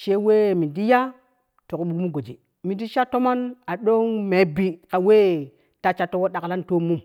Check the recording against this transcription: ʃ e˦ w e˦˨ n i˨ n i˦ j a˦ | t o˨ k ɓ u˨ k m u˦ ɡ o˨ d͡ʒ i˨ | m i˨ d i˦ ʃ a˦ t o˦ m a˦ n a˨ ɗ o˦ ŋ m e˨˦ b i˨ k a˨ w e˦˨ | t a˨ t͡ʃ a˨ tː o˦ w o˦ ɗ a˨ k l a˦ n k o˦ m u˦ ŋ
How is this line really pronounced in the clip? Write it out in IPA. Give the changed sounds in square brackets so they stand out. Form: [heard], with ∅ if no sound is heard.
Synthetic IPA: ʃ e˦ w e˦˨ [m] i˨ [d] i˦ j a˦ | t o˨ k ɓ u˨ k m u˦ ɡ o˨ d͡ʒ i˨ | m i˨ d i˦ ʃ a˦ t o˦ m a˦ n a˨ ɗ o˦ ŋ m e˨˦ b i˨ k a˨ w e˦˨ | t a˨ t͡ʃ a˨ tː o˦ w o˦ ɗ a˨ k l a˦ n [t] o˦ m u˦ [m]

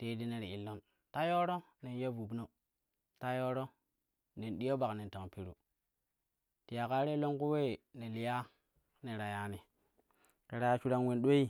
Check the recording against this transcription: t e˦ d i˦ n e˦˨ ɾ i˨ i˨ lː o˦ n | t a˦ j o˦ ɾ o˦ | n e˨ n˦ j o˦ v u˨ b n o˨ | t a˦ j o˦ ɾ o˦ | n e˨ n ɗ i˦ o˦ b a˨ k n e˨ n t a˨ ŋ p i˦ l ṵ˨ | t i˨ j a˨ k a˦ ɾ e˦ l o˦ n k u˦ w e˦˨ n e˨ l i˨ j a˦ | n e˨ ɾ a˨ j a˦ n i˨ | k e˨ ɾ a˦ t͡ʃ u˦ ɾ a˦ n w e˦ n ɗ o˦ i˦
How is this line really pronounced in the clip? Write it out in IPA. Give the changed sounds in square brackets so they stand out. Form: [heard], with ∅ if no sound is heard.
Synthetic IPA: t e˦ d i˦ n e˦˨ ɾ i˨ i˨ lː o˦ n | t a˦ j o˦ ɾ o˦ | n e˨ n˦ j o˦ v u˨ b n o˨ | t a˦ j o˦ ɾ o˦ | n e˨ n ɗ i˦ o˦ b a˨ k n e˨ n t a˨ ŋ p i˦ [ɾ] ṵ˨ | t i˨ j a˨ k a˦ ɾ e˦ l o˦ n k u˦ w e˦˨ n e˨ l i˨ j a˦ | n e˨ ɾ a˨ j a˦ n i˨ | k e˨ ɾ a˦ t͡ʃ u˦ ɾ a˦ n w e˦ n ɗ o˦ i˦

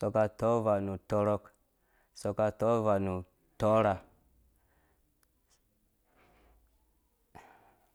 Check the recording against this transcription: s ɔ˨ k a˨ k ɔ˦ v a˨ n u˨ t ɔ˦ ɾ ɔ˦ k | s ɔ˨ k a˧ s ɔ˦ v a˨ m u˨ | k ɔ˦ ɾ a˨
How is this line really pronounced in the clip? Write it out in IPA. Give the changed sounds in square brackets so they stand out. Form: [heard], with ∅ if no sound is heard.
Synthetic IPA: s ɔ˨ k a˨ [t] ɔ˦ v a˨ n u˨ t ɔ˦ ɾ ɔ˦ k | s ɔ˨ k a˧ [t] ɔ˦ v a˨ [n] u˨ | [t] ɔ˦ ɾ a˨

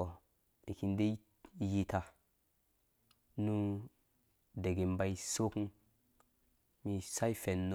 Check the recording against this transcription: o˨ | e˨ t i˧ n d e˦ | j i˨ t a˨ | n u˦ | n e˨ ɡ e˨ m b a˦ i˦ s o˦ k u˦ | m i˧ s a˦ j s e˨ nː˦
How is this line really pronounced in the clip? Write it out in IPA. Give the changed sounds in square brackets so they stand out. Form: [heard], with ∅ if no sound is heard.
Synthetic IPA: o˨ | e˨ [k] i˧ n d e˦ | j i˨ t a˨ | n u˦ | [d] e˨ ɡ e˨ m b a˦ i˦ s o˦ k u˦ | m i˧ s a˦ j [f] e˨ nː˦

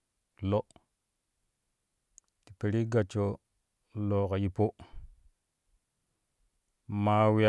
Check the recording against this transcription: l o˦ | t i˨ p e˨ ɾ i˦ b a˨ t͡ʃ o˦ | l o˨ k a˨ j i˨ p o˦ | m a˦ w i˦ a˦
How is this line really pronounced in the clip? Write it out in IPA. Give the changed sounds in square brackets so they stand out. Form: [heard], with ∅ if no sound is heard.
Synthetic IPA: l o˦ | t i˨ p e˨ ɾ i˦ [ɡ] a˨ t͡ʃ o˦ | l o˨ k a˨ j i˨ p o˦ | m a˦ w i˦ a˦

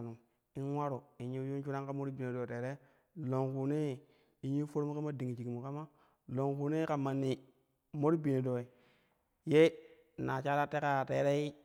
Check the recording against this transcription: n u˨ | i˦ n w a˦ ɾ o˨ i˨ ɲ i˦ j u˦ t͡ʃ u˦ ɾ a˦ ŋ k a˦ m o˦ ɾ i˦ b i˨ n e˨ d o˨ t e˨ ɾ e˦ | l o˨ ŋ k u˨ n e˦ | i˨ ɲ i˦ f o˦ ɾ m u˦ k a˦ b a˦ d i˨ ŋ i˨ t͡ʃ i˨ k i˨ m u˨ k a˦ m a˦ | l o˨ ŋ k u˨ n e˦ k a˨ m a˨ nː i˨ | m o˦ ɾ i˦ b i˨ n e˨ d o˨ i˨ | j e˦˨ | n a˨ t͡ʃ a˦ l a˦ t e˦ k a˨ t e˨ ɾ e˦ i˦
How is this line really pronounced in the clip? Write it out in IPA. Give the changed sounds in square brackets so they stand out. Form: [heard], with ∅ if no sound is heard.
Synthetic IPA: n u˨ | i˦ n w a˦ ɾ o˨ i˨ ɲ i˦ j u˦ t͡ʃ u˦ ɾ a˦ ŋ k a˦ m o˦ ɾ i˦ b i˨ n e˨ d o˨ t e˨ ɾ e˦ | l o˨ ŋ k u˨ n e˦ | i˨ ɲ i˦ f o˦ ɾ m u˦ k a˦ [m] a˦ d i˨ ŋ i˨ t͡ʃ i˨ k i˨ m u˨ k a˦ m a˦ | l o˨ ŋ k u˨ n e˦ k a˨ m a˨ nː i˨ | m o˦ ɾ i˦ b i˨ n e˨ d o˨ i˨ | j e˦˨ | n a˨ t͡ʃ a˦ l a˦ t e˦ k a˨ t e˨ ɾ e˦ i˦

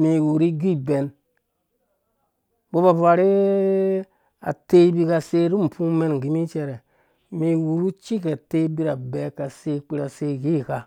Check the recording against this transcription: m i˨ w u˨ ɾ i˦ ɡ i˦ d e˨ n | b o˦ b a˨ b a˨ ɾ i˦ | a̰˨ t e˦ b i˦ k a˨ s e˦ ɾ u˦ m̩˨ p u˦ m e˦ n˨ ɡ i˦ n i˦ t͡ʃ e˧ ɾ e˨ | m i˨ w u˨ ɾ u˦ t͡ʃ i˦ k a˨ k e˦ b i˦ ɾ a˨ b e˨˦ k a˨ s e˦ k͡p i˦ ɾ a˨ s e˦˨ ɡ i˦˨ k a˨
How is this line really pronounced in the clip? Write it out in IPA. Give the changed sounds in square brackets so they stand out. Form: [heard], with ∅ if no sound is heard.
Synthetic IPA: m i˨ w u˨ ɾ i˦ ɡ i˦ [b] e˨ n | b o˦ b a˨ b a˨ ɾ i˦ | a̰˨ t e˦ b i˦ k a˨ s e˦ ɾ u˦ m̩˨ p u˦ m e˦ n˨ ɡ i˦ [m] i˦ t͡ʃ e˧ ɾ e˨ | m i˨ w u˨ ɾ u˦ t͡ʃ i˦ k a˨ [t] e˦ b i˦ ɾ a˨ b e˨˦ k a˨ s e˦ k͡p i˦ ɾ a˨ s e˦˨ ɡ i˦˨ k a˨

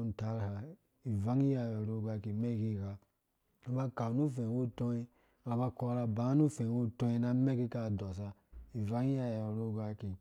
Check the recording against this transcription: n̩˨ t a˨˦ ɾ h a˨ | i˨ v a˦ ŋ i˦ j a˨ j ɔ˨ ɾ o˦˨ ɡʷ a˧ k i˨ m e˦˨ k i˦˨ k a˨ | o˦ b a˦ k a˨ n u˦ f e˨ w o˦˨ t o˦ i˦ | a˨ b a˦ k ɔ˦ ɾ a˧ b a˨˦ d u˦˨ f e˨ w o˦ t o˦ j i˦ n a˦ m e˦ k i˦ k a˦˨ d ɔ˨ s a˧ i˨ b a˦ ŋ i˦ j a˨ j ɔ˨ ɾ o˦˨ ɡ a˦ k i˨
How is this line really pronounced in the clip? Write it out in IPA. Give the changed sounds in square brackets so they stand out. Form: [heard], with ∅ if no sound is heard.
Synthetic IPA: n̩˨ t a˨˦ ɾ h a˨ | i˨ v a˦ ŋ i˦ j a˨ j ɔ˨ ɾ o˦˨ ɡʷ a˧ k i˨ m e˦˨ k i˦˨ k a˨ | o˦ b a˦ k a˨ n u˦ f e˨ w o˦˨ t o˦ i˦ | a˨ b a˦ k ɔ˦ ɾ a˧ b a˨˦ [n] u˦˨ f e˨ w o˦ t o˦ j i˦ n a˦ m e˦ k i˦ k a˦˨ d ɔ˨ s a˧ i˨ [v] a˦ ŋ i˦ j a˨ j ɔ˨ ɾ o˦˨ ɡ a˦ k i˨

